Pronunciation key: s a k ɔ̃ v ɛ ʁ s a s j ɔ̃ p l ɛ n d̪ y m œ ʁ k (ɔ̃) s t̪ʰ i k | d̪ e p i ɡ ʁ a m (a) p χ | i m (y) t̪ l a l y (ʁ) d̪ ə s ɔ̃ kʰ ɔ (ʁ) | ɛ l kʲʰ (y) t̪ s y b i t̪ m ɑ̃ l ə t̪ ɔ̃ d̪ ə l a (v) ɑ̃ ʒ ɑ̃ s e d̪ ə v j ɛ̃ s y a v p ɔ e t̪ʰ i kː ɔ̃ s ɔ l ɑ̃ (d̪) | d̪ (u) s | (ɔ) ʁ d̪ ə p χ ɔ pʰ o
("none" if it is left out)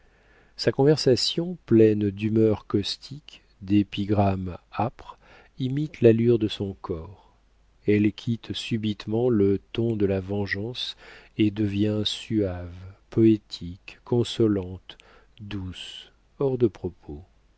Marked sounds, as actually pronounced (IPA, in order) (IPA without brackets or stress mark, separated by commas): ɔ, a, i, ʁ, ʁ, i, v, t̪, u, ɔ